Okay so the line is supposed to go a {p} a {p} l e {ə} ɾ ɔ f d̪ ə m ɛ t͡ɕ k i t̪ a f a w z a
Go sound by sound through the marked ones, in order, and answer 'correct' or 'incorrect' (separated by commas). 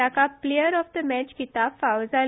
incorrect, correct, correct